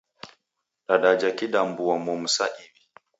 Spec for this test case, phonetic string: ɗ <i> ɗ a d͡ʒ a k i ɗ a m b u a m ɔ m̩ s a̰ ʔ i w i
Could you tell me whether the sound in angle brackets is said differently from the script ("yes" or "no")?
yes